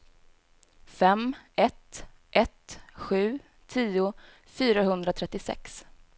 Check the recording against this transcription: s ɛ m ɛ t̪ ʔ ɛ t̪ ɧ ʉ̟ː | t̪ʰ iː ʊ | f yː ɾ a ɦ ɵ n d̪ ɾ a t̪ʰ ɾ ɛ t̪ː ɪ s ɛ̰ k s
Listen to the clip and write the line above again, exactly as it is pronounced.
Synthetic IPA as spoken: f ɛ m ɛ t̪ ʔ ɛ t̪ ɧ ʉ̟ː | t̪ʰ iː ʊ | f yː ɾ a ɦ ɵ n d̪ ɾ a t̪ʰ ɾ ɛ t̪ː ɪ s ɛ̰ k s